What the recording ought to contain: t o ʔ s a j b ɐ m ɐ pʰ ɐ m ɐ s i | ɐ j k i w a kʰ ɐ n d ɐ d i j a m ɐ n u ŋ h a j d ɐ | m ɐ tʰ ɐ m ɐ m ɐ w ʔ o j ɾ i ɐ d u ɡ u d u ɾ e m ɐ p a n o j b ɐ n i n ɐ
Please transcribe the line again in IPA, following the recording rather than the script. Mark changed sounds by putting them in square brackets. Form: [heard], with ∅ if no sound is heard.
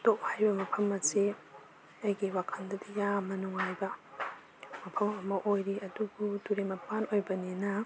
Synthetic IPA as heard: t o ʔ [h] a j b ɐ m ɐ pʰ ɐ m ɐ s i | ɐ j [ɡ] i w a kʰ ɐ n d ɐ d i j a m ɐ n u ŋ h a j [b] ɐ | m ɐ [pʰ] ɐ m ɐ m ɐ [∅] ʔ o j ɾ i ɐ d u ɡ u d u ɾ e m ɐ p a n o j b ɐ n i n ɐ